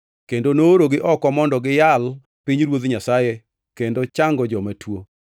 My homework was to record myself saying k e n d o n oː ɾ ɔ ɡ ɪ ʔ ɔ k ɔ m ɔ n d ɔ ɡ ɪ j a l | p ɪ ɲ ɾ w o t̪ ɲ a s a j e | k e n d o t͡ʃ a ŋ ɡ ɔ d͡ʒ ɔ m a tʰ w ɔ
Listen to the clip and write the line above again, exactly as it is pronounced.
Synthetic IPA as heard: k e n d o n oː ɾ o ɡ ɪ ʔ ɔ k ɔ m ɔ n d ɔ ɡ ɪ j a l | p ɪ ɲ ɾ w o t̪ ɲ a s a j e | k e n d o t͡ʃ a ŋ ɡ ɔ d͡ʒ ɔ m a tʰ w o